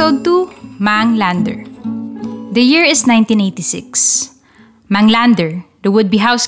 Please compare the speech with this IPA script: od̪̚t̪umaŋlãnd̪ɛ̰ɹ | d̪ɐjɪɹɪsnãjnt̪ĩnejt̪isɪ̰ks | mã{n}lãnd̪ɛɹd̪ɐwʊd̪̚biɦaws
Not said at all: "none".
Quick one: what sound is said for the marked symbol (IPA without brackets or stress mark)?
ŋ